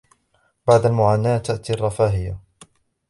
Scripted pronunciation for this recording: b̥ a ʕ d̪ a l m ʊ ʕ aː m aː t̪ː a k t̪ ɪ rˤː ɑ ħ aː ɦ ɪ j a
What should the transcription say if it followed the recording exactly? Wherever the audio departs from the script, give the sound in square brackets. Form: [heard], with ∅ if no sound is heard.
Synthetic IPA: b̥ a ʕ d̪ a l m ʊ ʕ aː [n] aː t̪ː a [ʔ] t̪ [i] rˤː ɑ [f] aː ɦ ɪ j a